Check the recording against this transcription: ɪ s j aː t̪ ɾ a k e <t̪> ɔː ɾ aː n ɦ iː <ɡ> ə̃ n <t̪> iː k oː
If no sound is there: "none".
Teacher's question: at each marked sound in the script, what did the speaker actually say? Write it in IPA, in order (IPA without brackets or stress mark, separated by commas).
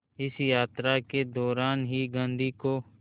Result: d̪, ɡ, d̪